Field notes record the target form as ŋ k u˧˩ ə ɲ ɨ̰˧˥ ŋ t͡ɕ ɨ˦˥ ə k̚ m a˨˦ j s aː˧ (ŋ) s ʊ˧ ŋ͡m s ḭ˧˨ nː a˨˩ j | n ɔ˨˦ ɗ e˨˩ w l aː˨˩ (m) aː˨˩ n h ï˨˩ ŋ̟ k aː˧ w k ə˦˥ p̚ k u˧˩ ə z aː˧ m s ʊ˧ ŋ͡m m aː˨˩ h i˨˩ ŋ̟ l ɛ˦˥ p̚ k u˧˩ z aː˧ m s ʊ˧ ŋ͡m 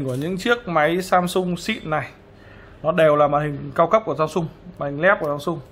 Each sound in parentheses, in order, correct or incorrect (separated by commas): incorrect, correct